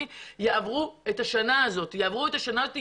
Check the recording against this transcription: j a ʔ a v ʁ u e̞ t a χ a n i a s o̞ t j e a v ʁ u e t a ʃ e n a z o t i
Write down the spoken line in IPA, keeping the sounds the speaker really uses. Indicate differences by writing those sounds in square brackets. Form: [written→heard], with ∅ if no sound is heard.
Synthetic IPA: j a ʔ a v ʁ u e̞ t a [χ→ʃ] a n [i→a] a [s→z] o̞ t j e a v ʁ u e t a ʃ [e→a] n a z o t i